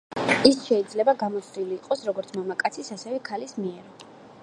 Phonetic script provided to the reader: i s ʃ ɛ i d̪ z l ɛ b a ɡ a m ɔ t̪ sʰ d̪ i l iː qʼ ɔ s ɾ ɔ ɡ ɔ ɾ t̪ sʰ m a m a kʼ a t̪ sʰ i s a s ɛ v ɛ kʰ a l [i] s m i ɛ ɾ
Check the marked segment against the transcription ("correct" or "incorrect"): correct